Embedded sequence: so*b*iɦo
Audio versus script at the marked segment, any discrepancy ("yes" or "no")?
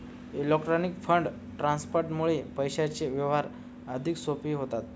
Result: yes